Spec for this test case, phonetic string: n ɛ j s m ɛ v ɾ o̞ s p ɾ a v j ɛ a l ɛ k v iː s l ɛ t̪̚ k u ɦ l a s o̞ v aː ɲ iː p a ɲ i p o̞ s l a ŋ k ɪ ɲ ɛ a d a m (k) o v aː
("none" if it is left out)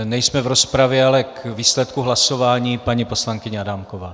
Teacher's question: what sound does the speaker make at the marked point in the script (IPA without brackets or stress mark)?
k